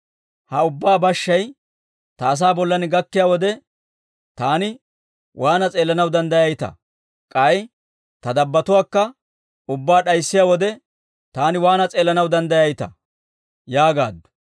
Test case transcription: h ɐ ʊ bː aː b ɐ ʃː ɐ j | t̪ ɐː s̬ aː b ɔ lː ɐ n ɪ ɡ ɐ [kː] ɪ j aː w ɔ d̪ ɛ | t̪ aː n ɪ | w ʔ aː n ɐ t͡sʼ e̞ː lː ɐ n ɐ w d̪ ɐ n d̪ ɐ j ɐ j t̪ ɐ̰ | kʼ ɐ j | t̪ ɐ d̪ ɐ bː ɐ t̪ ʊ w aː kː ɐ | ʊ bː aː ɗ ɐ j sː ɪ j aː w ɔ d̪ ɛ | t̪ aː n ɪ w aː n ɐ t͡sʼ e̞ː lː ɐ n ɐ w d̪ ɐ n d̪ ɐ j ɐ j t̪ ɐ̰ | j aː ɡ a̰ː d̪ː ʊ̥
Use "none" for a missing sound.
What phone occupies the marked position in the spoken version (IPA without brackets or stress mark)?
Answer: kː